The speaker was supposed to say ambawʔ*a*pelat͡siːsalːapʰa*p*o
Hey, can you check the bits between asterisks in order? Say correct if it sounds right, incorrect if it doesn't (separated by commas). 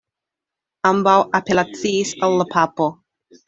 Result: correct, correct